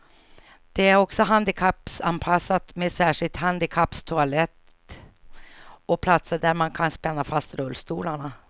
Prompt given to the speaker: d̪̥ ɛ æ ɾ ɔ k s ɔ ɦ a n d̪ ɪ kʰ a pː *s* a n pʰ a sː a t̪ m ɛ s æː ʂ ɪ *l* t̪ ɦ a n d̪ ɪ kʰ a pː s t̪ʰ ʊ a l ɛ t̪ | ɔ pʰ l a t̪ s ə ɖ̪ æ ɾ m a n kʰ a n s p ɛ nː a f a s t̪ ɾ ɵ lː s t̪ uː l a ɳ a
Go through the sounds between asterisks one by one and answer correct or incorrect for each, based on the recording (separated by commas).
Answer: correct, correct